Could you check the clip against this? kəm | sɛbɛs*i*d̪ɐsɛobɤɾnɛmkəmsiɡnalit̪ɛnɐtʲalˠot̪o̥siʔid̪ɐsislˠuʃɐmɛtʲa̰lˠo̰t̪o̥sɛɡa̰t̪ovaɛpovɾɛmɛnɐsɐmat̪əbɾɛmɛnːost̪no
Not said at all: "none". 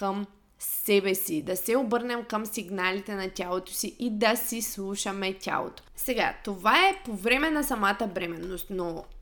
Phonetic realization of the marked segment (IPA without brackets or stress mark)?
i